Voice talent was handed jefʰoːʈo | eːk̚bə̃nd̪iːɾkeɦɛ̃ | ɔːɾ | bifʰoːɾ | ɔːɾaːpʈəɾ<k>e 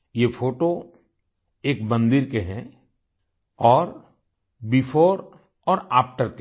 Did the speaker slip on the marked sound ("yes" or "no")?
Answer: no